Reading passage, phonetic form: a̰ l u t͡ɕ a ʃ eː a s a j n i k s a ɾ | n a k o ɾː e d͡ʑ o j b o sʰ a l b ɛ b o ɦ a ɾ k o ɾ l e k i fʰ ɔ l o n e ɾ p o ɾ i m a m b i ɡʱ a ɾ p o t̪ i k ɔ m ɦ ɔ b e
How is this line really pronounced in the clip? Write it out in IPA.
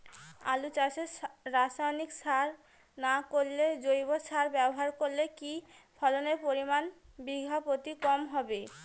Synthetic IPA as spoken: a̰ l u t͡ɕ a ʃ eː a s a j n i k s a ɾ | n a k o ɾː e d͡ʑ o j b o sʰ a ɾ b ɛ b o ɦ a ɾ k o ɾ l e k i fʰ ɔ l o n e ɾ p o ɾ i m a n b i ɡʱ a p o t̪ i k ɔ m ɦ ɔ b e